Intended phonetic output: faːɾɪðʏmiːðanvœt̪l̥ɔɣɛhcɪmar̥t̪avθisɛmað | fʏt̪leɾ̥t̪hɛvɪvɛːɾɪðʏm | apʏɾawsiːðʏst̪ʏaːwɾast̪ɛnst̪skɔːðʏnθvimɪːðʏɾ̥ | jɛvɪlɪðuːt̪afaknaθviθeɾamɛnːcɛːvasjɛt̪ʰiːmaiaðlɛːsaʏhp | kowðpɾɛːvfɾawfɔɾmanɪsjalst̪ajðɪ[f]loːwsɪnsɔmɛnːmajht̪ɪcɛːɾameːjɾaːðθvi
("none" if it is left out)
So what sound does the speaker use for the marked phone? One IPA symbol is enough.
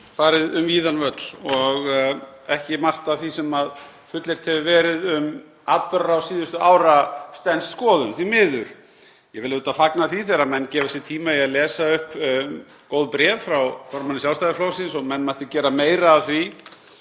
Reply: f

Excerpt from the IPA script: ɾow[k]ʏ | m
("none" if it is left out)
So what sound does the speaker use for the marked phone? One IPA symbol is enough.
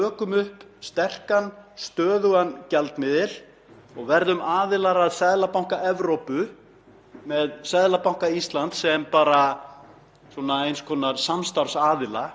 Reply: p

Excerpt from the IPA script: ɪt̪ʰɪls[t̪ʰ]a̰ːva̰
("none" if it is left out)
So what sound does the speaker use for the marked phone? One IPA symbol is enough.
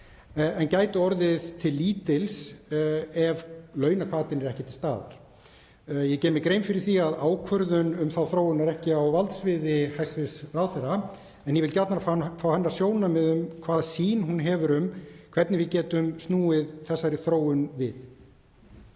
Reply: t̪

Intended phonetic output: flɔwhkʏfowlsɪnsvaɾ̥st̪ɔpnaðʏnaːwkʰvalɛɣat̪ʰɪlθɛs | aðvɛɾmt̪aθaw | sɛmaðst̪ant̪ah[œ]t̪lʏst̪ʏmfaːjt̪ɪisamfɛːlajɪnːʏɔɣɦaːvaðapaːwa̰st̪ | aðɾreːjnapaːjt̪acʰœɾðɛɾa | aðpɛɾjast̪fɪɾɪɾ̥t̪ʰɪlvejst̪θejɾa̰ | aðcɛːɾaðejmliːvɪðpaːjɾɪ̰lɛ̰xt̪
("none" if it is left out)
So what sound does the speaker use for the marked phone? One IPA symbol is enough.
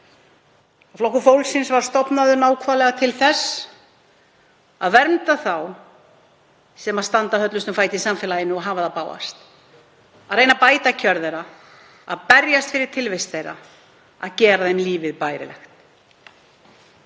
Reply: œ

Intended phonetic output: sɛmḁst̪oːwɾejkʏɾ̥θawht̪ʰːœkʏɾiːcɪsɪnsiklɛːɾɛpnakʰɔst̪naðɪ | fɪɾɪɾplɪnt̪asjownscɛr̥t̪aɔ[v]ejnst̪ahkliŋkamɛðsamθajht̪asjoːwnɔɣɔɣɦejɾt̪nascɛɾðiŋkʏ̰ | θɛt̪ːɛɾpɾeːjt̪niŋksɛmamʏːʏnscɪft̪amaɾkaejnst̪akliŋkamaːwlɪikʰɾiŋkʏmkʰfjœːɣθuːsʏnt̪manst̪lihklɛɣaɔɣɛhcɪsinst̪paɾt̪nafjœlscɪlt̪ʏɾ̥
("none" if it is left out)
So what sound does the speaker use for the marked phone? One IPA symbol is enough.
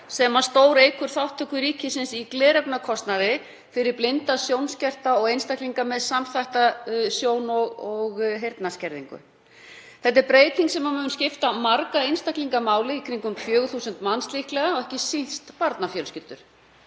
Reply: ɣ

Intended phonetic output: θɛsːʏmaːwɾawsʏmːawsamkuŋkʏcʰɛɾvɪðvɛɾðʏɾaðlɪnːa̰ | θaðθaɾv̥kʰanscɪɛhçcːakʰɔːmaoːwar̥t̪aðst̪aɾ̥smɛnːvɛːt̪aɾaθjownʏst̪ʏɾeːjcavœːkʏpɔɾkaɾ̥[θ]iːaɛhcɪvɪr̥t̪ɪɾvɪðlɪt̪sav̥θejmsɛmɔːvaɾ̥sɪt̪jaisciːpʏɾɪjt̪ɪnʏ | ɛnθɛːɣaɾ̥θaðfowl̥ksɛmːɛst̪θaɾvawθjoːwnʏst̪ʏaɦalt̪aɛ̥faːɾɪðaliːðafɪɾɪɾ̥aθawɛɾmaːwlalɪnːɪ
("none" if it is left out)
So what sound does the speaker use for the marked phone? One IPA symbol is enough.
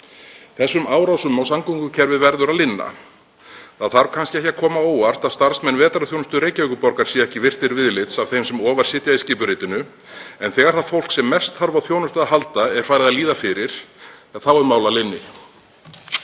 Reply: s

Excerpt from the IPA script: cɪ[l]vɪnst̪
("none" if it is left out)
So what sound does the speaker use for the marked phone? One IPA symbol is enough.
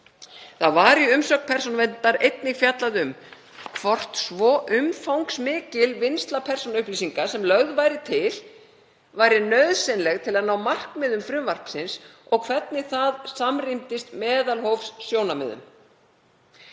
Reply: l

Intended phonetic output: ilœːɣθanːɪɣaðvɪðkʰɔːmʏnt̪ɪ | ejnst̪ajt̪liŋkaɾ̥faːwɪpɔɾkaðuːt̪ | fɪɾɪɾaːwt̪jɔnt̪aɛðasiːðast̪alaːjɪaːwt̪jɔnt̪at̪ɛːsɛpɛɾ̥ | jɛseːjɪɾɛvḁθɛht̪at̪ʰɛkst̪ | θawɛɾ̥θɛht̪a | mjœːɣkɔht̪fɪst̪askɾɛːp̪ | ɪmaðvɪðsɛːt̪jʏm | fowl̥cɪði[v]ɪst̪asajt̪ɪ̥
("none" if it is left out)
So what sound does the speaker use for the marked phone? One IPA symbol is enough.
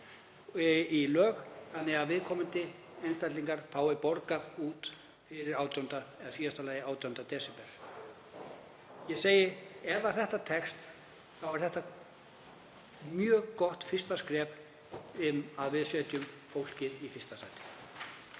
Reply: f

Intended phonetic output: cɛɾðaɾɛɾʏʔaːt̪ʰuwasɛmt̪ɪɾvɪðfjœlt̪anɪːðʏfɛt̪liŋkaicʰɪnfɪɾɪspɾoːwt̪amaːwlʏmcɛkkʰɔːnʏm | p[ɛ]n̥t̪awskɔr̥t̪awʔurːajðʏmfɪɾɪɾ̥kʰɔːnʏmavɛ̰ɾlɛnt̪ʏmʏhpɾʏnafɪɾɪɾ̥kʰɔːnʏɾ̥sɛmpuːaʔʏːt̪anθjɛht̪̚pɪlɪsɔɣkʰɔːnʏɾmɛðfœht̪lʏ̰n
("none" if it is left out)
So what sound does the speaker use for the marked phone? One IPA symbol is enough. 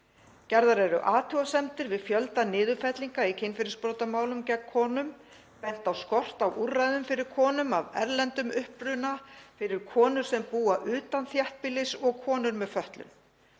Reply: ɛ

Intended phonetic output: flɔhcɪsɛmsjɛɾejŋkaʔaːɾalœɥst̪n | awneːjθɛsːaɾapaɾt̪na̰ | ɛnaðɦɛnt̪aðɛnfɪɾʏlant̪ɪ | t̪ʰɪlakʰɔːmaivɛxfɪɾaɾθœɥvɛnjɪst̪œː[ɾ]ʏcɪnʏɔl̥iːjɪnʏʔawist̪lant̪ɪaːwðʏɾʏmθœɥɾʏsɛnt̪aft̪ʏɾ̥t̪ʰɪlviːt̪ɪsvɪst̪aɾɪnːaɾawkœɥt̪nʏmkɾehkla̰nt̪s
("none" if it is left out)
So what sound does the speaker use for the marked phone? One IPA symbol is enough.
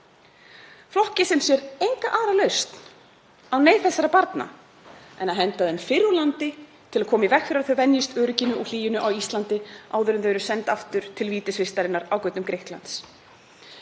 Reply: ɾ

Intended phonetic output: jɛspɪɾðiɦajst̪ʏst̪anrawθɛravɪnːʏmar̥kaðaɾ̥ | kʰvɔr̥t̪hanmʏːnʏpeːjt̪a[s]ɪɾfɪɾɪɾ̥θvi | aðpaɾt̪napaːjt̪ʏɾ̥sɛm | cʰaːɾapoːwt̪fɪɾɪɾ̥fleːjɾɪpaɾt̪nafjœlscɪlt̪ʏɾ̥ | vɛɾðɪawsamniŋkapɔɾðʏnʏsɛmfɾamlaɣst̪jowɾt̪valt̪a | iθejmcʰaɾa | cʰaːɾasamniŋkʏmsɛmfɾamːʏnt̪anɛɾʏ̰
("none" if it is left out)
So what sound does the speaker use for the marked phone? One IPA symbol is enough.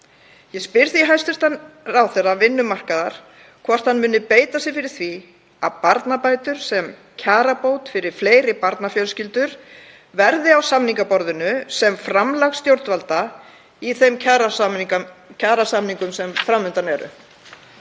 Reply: s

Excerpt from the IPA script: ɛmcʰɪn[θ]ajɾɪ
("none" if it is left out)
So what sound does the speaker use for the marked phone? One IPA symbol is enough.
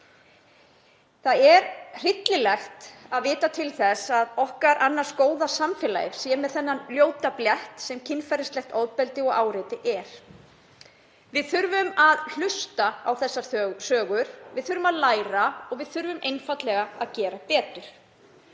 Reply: f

